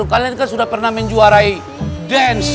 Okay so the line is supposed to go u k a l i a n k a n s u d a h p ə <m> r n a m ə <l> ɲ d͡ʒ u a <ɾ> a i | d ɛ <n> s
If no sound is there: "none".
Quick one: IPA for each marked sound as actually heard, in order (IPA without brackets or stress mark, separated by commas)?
none, none, ɾ, n